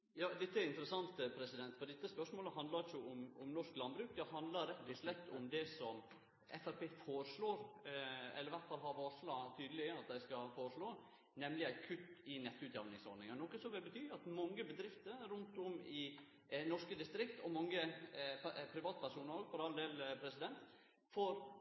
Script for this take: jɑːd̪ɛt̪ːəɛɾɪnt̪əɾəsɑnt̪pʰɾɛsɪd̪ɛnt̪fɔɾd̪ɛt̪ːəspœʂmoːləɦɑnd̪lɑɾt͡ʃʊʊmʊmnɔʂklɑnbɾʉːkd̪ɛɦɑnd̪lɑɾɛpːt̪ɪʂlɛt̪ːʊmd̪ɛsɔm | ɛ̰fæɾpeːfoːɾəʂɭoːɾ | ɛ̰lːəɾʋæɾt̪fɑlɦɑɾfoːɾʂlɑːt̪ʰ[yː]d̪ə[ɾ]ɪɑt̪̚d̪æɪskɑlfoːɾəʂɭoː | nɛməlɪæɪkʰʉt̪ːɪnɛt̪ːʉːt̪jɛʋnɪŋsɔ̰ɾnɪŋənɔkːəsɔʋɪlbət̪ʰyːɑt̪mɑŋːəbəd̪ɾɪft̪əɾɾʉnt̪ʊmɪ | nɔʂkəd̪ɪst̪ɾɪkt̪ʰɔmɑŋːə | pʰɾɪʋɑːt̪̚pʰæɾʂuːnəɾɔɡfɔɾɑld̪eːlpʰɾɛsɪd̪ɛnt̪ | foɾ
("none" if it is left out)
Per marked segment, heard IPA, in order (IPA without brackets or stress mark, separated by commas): yː, l